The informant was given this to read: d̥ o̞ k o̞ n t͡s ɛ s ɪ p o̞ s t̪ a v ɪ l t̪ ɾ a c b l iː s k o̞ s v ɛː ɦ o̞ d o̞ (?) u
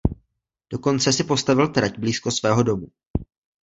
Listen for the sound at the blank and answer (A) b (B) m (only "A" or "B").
B